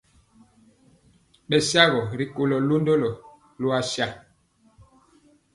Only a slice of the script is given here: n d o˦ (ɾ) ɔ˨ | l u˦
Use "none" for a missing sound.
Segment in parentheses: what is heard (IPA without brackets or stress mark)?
l